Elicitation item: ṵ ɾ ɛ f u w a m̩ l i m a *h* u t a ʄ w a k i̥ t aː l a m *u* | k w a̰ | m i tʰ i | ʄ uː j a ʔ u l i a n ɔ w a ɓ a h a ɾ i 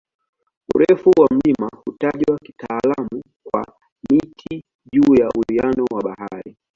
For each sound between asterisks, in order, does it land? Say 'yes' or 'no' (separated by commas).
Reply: yes, yes